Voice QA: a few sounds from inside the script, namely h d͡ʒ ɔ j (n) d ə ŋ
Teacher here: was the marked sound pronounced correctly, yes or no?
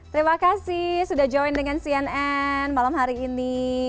yes